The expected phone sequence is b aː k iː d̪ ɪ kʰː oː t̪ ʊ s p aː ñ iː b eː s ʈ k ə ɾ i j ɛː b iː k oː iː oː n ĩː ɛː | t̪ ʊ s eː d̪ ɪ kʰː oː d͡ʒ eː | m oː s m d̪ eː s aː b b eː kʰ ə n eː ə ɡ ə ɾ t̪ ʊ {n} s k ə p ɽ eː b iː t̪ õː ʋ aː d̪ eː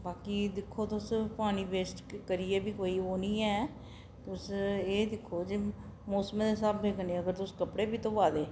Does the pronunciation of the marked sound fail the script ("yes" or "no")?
yes